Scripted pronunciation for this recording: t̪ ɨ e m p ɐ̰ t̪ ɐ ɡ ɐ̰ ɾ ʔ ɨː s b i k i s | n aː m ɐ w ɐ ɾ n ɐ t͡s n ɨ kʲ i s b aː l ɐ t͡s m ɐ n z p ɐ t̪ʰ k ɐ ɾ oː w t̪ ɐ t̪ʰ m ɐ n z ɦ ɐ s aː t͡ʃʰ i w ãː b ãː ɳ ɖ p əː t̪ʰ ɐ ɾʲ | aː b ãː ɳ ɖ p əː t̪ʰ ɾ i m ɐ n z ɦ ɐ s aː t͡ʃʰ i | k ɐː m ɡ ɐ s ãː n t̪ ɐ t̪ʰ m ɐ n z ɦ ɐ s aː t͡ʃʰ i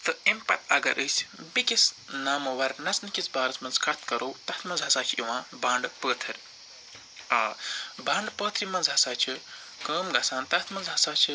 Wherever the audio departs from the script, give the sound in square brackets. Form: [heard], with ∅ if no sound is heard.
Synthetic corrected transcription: t̪ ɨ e m p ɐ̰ t̪ ɐ ɡ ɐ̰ ɾ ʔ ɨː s b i k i s | n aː m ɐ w ɐ ɾ n ɐ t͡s n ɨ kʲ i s b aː [ɾ] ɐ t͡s m ɐ n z [k] ɐ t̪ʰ k ɐ ɾ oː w t̪ ɐ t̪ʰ m ɐ n z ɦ ɐ s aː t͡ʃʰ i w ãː b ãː ɳ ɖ p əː t̪ʰ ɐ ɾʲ | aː b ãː ɳ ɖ p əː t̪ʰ ɾ i m ɐ n z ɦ ɐ s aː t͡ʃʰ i | k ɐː m ɡ ɐ s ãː n t̪ ɐ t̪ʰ m ɐ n z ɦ ɐ s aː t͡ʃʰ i